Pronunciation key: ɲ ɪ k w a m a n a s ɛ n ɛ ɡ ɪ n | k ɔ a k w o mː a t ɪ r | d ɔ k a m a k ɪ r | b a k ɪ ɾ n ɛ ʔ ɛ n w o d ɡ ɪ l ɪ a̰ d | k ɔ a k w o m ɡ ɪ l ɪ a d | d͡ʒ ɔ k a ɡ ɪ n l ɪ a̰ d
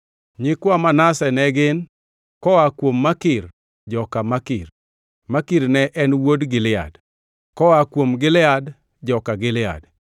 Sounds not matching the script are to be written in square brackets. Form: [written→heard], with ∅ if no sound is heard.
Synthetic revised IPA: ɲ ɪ k w a m a n a s ɛ n ɛ ɡ ɪ n | k ɔ a k w o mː a [t→k] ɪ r | [d→d͡ʒ] ɔ k a m a k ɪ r | [b→m] a k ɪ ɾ n ɛ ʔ ɛ n w o d ɡ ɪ l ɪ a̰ d | k ɔ a k w o m ɡ ɪ l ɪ a d | d͡ʒ ɔ k a ɡ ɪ [n→∅] l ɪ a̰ d